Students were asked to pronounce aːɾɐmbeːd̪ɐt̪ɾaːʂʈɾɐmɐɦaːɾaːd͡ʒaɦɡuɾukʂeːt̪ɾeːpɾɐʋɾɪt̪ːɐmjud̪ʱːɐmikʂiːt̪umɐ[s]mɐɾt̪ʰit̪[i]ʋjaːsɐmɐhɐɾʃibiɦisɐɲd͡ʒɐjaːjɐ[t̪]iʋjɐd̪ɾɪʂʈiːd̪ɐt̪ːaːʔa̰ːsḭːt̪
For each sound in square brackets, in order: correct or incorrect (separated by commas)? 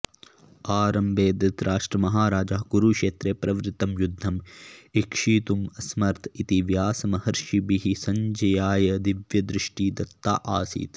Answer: correct, correct, incorrect